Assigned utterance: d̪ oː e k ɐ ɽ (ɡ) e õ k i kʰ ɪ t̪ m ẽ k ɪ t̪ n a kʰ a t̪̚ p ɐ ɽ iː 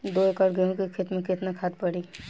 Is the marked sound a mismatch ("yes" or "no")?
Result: no